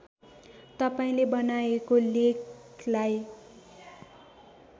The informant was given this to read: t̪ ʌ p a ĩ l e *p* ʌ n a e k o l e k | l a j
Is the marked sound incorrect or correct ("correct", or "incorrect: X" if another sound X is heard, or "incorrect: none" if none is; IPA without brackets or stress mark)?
incorrect: b